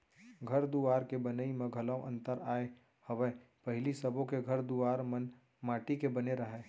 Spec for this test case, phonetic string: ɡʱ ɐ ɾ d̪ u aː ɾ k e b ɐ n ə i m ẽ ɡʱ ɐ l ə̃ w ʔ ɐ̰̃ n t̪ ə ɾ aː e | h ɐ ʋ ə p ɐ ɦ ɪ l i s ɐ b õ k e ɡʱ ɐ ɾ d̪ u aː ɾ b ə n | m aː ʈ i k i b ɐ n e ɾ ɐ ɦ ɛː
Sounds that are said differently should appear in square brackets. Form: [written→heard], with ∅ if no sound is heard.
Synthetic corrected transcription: ɡʱ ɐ ɾ d̪ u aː ɾ k e b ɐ n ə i m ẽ ɡʱ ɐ l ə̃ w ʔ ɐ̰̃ n t̪ ə ɾ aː e | h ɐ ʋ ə p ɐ ɦ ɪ l i s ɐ b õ k e ɡʱ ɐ ɾ d̪ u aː ɾ [b→m] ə n | m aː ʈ i k [i→e] b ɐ n e ɾ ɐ ɦ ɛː

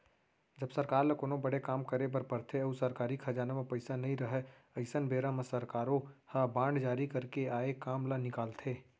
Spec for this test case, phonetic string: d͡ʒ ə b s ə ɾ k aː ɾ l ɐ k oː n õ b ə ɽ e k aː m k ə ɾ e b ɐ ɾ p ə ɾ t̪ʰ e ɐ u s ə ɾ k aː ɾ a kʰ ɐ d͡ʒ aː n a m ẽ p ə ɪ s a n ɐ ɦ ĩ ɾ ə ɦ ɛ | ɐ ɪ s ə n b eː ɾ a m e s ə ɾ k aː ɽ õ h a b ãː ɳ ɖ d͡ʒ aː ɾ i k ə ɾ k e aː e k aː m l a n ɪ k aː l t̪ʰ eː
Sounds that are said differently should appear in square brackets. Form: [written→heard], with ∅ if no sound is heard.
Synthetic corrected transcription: d͡ʒ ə b s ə ɾ k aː ɾ l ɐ k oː n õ b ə ɽ e k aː m k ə ɾ e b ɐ ɾ p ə ɾ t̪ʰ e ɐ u s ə ɾ k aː ɾ [a→i] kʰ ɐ d͡ʒ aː n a m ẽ p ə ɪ s a n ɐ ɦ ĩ ɾ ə ɦ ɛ | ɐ ɪ s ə n b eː ɾ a m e s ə ɾ k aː [ɽ→ɾ] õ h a b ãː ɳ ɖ d͡ʒ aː ɾ i k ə ɾ k e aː e k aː m l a n ɪ k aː l t̪ʰ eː

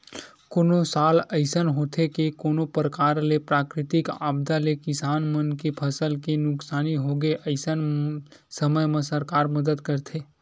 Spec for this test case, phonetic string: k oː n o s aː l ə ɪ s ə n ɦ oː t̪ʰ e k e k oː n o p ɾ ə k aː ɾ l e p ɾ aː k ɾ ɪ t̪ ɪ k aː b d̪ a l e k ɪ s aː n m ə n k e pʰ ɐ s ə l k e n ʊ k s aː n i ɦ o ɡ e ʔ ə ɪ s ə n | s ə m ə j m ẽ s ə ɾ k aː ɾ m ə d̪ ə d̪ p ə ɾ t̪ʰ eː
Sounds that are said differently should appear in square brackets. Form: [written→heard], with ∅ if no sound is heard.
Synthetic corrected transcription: k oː n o s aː l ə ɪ s ə n ɦ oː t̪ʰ e k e k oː n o p ɾ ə k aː ɾ l e p ɾ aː k ɾ ɪ t̪ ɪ k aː b d̪ a l e k ɪ s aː n m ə n k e pʰ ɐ s ə l k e n ʊ k s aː n i ɦ o ɡ e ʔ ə ɪ s ə n | s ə m ə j m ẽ s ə ɾ k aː ɾ m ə d̪ ə d̪ [p→k] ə ɾ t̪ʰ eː

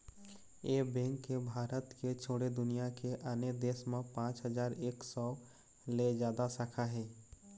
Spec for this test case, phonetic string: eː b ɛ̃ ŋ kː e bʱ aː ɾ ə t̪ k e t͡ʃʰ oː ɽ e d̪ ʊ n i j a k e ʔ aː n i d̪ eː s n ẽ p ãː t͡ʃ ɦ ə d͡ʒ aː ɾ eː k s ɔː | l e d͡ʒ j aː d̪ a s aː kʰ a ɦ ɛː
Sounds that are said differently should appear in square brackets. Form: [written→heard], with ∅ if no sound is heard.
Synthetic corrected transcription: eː b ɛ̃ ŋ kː e bʱ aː ɾ ə t̪ k e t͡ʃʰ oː ɽ e d̪ ʊ n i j a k e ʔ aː n [i→e] d̪ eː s [n→m] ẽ p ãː t͡ʃ ɦ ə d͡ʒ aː ɾ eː k s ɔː | l e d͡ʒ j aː d̪ a s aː kʰ a ɦ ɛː

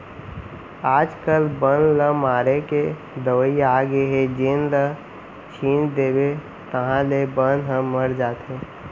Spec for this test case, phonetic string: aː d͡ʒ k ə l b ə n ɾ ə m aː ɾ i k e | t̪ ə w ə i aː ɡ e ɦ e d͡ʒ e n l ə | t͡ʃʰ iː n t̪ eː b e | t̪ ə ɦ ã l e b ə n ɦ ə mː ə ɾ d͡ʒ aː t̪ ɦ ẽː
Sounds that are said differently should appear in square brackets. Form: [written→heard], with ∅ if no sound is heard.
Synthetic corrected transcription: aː d͡ʒ k ə l b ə n [ɾ→l] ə m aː ɾ [i→e] k e | [t̪→d̪] ə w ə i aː ɡ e ɦ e d͡ʒ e n l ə | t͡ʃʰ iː n [t̪→d̪] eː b e | t̪ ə ɦ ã l e b ə n ɦ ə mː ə ɾ d͡ʒ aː t̪ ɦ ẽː

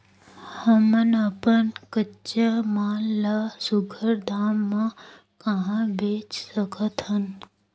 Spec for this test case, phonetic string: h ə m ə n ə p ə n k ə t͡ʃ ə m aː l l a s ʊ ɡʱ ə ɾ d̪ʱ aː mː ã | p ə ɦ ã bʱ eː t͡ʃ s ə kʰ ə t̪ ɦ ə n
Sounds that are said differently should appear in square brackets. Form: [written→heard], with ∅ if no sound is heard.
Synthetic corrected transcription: h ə m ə n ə p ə n k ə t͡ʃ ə m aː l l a s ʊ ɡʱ ə ɾ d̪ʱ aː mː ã | [p→k] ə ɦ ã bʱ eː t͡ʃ s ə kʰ ə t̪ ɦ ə n

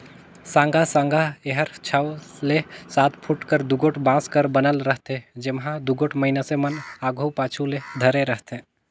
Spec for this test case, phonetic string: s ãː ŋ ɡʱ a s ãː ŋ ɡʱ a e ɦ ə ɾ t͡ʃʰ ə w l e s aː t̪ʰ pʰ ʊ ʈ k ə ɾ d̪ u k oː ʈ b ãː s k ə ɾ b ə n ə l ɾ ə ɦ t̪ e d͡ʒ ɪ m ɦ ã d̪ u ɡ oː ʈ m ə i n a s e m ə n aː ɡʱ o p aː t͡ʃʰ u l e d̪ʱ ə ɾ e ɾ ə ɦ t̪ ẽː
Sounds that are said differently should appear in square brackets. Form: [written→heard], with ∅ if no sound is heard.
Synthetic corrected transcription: s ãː ŋ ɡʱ a s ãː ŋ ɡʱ a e ɦ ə ɾ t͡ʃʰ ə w l e s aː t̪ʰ pʰ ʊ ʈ k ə ɾ d̪ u [k→ɡ] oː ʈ b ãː s k ə ɾ b ə n ə l ɾ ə ɦ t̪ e d͡ʒ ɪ m ɦ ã d̪ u ɡ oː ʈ m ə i n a s e m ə n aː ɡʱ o p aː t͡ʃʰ u l e d̪ʱ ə ɾ e ɾ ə ɦ t̪ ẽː

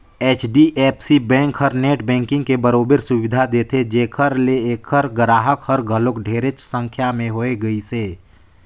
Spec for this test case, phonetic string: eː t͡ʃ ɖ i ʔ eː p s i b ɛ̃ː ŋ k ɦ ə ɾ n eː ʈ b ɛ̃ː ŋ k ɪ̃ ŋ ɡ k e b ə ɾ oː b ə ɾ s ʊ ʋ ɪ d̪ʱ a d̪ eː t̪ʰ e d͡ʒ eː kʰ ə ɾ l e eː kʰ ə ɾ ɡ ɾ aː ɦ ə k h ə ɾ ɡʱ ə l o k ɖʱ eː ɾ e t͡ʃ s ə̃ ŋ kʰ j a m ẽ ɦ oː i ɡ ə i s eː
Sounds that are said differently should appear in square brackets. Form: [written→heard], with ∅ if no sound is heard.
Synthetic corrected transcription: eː t͡ʃ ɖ i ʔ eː p s i b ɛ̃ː ŋ k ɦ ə ɾ n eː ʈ b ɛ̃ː ŋ k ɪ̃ ŋ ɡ k e b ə ɾ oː b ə ɾ s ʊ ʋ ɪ d̪ʱ a d̪ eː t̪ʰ e d͡ʒ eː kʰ ə ɾ l e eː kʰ ə ɾ ɡ ɾ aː ɦ ə k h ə ɾ ɡʱ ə l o k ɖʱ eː ɾ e t͡ʃ s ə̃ ŋ kʰ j a m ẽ ɦ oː [i→e] ɡ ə i s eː

